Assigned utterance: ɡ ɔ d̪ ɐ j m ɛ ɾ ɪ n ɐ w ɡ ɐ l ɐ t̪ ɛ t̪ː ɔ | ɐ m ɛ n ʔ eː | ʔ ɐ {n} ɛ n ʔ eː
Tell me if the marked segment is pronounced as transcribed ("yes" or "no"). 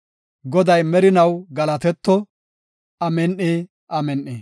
no